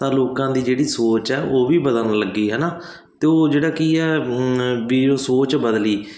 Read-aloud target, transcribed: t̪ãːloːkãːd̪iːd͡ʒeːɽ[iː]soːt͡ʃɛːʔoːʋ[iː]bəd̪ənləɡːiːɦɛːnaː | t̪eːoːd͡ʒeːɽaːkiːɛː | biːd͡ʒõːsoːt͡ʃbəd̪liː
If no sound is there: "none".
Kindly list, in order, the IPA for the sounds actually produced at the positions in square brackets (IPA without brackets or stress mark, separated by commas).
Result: iː, iː